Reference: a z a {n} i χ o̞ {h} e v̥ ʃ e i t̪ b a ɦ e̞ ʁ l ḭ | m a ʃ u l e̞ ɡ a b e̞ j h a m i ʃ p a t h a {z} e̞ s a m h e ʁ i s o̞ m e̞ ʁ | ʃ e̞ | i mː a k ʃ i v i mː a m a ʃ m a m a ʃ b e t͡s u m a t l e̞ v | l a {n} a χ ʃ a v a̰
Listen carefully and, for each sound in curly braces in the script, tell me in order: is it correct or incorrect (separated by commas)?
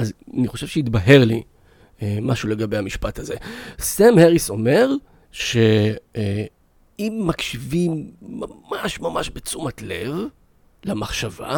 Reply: correct, incorrect, correct, incorrect